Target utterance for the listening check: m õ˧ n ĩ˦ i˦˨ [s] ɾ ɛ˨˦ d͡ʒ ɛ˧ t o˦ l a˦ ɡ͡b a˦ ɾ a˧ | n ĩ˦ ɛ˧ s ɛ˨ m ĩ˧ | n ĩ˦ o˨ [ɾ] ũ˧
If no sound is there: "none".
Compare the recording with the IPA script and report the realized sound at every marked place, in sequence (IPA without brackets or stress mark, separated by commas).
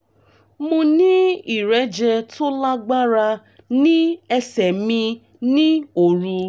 none, ɾ